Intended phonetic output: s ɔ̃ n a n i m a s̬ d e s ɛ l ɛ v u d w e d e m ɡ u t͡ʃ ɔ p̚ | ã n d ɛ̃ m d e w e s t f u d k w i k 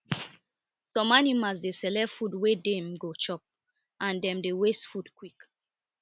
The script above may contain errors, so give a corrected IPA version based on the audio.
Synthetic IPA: s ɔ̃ m a n i m a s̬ d e s ɛ l ɛ f u d w e d e m ɡ o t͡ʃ ɔ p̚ | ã n d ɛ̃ m d e w e s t f u d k w i k